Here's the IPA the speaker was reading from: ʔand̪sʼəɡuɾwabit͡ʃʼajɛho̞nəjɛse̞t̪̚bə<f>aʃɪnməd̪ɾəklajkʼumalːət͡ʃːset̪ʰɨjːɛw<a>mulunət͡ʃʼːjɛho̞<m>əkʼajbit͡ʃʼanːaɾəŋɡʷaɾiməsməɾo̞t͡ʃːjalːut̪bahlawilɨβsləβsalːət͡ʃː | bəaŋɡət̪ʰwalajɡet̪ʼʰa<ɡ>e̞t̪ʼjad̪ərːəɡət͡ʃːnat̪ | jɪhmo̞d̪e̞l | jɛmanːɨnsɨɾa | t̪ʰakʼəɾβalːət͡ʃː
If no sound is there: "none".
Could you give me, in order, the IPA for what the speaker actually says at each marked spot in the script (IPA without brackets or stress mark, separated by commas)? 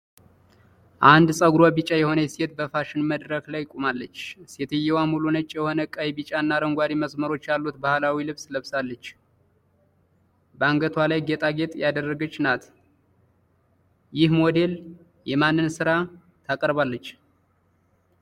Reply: f, a, n, ɡ